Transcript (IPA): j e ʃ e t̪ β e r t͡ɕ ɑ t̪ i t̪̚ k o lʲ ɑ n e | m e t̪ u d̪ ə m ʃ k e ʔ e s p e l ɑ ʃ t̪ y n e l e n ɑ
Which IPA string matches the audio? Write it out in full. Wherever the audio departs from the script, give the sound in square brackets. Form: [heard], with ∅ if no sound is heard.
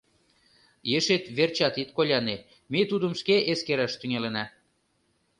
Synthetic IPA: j e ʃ e t̪ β e r t͡ɕ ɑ t̪ i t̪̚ k o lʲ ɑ n e | m e t̪ u d̪ ə m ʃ k e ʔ e s [k] e [ɾ] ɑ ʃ t̪ y [ŋ] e l e n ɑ